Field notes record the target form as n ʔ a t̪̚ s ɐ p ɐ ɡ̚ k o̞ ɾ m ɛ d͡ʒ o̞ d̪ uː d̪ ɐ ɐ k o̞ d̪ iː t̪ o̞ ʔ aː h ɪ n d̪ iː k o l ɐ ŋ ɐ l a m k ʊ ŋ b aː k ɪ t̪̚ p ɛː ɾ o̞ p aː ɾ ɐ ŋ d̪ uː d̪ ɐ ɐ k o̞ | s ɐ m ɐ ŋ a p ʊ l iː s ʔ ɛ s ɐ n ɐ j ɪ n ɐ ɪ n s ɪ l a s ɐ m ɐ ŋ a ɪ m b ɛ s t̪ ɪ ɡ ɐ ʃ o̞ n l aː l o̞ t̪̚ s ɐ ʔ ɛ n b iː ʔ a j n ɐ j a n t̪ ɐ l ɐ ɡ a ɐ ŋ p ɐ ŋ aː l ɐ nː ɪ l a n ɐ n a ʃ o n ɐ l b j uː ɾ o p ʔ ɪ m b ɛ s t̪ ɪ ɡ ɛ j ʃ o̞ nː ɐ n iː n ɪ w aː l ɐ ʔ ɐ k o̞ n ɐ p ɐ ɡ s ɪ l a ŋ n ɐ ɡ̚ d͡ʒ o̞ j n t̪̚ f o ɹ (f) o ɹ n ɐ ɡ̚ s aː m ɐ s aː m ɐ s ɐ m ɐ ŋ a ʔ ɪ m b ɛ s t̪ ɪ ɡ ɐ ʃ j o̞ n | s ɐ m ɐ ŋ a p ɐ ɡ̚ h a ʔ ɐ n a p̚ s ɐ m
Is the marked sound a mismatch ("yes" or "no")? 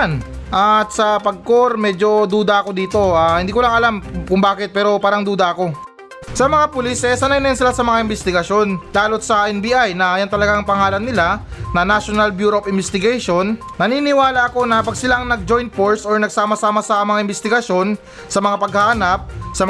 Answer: yes